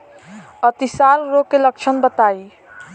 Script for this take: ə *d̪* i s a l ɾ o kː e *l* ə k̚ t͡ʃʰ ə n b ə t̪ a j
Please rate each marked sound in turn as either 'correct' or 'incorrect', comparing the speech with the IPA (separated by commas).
incorrect, correct